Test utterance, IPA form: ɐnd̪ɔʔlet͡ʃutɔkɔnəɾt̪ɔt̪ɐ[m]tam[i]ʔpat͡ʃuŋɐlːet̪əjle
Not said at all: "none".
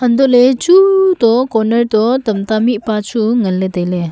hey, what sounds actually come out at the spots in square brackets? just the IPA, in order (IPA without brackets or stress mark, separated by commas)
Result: m, i